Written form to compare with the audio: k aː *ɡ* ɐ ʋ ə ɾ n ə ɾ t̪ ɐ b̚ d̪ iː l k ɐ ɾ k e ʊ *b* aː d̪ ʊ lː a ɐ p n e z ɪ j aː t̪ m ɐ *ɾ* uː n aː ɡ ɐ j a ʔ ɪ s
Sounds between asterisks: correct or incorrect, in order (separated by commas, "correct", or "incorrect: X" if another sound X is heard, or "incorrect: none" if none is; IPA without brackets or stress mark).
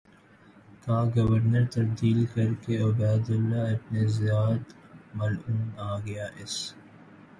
correct, correct, incorrect: l